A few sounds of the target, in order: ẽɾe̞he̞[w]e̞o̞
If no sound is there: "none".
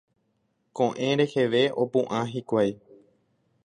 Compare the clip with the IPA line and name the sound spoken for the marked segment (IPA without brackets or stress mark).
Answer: ʋ